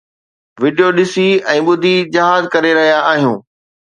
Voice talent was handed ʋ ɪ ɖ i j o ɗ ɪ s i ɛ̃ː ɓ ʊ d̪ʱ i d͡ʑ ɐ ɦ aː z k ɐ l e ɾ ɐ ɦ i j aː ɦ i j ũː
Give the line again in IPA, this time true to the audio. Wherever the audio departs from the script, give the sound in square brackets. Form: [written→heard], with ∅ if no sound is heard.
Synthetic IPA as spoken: ʋ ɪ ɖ i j o ɗ ɪ s i ɛ̃ː ɓ ʊ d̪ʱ i d͡ʑ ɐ ɦ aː z k ɐ [l→ɾ] e ɾ ɐ ɦ i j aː ɦ i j ũː